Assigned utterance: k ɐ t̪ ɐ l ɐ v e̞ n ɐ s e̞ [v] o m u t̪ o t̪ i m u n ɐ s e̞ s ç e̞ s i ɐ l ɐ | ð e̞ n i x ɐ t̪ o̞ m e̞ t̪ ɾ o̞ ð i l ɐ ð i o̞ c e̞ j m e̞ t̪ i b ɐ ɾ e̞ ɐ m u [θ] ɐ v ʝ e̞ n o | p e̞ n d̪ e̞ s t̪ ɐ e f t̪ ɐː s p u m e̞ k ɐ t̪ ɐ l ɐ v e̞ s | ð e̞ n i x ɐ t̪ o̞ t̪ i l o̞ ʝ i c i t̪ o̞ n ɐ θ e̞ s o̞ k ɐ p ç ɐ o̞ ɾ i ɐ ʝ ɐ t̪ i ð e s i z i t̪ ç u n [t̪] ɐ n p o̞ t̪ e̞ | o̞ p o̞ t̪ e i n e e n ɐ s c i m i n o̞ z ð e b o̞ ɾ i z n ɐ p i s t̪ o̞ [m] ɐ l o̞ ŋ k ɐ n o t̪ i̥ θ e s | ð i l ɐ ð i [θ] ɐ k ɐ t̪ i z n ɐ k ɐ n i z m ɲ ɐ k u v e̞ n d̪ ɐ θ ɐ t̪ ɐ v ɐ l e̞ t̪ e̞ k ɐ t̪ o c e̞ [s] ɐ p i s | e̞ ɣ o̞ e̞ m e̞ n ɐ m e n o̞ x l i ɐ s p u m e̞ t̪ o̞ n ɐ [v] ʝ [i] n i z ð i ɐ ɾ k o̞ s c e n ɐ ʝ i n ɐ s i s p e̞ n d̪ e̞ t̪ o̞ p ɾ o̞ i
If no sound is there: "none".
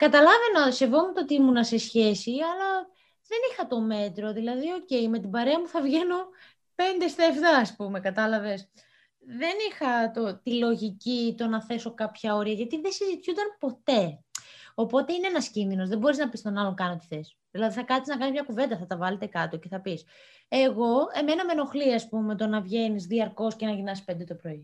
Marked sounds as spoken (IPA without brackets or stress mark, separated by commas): v, θ, d̪, n, θ, θ, v, e